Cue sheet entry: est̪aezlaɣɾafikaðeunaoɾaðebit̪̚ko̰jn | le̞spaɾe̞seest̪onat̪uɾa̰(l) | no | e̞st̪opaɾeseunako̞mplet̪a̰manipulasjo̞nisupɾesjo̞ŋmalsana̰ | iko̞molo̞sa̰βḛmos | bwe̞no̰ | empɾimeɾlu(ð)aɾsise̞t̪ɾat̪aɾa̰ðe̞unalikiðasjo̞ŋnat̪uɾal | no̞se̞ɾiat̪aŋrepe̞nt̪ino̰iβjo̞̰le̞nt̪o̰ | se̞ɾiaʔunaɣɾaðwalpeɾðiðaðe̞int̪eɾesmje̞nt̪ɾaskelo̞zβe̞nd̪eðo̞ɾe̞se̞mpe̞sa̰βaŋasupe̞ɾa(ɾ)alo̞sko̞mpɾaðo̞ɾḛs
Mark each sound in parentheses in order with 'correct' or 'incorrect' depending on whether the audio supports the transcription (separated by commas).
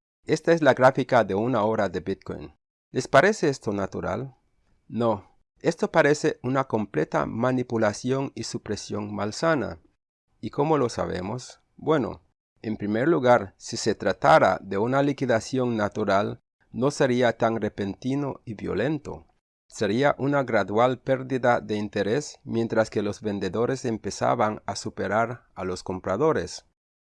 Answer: correct, incorrect, correct